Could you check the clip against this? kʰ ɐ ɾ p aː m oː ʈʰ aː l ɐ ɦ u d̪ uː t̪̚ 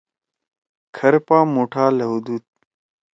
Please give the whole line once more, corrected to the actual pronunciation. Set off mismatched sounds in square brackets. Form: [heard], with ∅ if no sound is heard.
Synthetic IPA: kʰ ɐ ɾ p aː m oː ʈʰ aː l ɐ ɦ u d̪ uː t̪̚